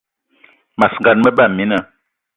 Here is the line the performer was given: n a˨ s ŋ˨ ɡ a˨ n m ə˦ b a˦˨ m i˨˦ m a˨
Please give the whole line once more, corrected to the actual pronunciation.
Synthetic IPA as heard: m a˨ s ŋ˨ ɡ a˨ n m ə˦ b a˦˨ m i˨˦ n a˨